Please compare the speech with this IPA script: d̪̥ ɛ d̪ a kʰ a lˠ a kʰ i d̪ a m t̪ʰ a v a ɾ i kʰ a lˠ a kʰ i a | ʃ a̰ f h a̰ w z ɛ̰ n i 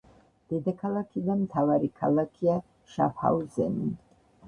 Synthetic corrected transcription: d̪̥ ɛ d̪ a kʰ a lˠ a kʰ i d̪ a m t̪ʰ a v a ɾ i kʰ a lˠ a kʰ i a | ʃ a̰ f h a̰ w z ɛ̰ n i